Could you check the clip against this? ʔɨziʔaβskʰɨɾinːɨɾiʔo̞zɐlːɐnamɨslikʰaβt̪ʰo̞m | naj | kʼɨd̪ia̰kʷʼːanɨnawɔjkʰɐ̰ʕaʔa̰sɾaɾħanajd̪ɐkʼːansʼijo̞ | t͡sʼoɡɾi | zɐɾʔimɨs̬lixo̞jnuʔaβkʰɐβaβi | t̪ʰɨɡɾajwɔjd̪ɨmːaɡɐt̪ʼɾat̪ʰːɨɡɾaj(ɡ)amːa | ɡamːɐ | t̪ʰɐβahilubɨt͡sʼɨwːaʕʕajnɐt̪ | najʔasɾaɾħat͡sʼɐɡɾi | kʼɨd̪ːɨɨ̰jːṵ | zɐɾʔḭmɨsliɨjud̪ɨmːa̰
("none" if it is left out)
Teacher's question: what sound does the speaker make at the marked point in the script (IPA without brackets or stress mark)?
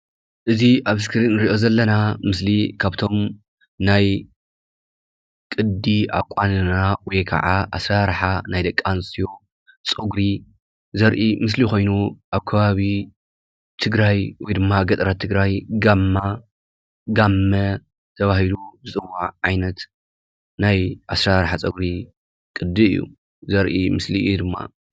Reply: ɡ